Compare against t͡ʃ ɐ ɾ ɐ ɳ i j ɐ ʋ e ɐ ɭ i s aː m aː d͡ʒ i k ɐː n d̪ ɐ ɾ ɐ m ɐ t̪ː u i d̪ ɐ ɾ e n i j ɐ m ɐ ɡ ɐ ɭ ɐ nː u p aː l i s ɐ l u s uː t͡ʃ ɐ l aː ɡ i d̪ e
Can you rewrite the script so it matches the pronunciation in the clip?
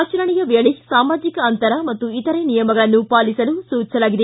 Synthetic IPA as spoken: t͡ʃ ɐ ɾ ɐ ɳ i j ɐ ʋ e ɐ ɭ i s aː m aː d͡ʒ i k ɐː n t̪ ɐ ɾ ɐ m ɐ t̪ː u i t̪ ɐ ɾ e n i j ɐ m ɐ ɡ ɐ ɭ ɐ nː u p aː l i s ɐ l u s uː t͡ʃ ɐ l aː ɡ i d̪ e

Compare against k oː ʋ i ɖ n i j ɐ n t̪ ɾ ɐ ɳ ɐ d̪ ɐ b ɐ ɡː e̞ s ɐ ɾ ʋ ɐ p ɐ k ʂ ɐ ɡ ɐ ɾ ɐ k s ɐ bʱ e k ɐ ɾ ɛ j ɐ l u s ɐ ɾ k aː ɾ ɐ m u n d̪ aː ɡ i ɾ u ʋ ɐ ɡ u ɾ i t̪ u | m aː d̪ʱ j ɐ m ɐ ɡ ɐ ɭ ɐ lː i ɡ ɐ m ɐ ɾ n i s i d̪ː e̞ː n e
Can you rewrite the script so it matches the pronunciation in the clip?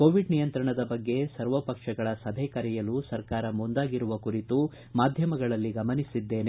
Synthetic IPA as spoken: k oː ʋ i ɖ n i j ɐ n t̪ ɾ ɐ ɳ ɐ d̪ ɐ b ɐ ɡː e̞ s ɐ ɾ ʋ ɐ p ɐ k ʂ ɐ ɡ ɐ ɭ ɐ s ɐ bʱ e k ɐ ɾ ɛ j ɐ l u s ɐ ɾ k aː ɾ ɐ m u n d̪ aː ɡ i ɾ u ʋ ɐ k u ɾ i t̪ u | m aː d̪ʱ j ɐ m ɐ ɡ ɐ ɭ ɐ lː i ɡ ɐ m ɐ n i s i d̪ː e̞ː n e

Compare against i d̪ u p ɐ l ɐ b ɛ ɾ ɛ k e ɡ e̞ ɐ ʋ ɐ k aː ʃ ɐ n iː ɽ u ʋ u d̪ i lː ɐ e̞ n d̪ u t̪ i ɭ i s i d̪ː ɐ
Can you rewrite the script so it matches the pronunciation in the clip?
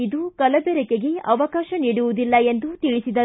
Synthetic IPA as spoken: i d̪ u k ɐ l ɐ b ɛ ɾ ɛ k e ɡ e̞ ɐ ʋ ɐ k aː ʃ ɐ n iː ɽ u ʋ u d̪ i lː ɐ e̞ n d̪ u t̪ i ɭ i s i d̪ ɐ

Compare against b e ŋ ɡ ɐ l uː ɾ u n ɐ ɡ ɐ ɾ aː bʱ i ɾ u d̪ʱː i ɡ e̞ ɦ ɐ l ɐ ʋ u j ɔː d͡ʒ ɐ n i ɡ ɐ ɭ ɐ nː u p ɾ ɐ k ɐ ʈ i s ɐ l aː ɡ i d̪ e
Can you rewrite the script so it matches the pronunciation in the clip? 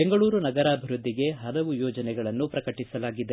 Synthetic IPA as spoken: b e ŋ ɡ ɐ ɭ uː ɾ u n ɐ ɡ ɐ ɾ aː bʱ i ɾ u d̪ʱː i ɡ e̞ ɦ ɐ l ɐ ʋ u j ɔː d͡ʒ ɐ n ɛ ɡ ɐ ɭ ɐ nː u p ɾ ɐ k ɐ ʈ i s ɐ l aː ɡ i d̪ e

